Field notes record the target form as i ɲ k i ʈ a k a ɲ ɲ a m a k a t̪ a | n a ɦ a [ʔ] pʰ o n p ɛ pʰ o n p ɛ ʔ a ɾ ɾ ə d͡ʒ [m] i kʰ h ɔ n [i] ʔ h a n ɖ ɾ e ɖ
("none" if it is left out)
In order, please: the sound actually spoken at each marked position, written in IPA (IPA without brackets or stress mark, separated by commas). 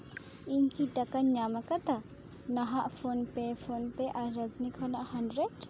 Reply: ʔ, n, a